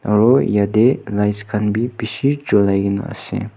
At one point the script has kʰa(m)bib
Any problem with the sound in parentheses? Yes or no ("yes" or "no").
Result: yes